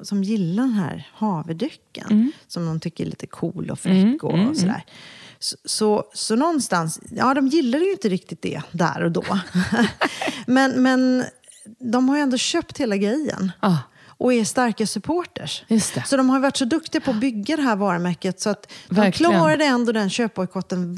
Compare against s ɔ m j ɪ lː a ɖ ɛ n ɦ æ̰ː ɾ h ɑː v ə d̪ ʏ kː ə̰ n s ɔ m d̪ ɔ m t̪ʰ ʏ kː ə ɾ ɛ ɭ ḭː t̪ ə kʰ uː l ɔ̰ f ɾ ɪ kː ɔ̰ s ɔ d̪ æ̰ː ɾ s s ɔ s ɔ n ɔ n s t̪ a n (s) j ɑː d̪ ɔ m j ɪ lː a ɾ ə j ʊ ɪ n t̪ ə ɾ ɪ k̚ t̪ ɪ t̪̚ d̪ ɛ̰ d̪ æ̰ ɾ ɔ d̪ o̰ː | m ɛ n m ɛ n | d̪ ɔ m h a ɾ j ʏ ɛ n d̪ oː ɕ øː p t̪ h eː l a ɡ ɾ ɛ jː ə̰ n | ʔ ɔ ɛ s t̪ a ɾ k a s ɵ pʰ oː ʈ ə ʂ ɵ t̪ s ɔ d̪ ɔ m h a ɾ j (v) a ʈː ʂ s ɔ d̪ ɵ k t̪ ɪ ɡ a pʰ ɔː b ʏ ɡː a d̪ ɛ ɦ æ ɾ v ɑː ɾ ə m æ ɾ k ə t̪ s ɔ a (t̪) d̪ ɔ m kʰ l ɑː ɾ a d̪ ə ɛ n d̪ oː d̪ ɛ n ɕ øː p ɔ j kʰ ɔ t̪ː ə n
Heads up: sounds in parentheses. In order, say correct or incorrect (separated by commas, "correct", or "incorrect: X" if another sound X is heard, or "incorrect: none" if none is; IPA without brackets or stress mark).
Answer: correct, correct, correct